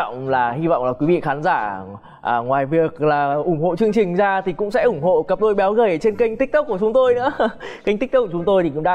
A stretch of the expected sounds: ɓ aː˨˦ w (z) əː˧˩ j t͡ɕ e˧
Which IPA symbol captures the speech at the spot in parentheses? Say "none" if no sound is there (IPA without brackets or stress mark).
ɣ